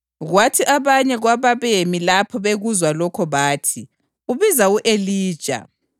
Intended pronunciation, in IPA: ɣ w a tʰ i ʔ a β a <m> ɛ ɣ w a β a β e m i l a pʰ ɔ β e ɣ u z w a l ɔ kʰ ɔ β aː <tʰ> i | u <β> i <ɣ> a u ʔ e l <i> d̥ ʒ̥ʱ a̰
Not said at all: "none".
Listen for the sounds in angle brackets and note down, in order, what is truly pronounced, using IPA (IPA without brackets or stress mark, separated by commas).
ɲ, tʰ, β, z, iː